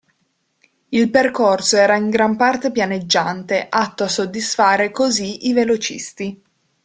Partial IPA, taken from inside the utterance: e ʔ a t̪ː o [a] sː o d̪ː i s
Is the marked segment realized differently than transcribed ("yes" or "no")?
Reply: no